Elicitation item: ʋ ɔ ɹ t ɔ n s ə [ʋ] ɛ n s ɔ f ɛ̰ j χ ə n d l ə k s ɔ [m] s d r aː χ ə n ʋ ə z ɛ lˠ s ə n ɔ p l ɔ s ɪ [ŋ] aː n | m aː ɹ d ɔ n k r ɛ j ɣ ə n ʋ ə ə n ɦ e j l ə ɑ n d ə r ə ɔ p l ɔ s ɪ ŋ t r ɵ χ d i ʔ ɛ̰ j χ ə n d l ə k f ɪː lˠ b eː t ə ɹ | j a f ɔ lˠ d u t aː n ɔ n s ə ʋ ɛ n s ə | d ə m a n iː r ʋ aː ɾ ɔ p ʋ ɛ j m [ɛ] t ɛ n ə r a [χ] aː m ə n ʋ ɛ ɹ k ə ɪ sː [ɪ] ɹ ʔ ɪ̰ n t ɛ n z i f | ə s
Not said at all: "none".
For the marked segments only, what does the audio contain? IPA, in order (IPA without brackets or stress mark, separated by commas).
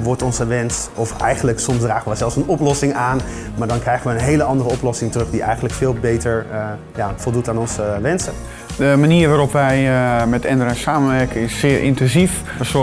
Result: ʋ, m, ŋ, ɛ, s, ɪː